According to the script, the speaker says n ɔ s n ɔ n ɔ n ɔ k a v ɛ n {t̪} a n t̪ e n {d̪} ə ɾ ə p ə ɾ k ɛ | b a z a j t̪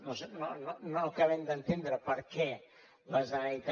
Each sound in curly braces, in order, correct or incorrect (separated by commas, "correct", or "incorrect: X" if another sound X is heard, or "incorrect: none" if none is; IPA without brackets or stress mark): incorrect: d̪, correct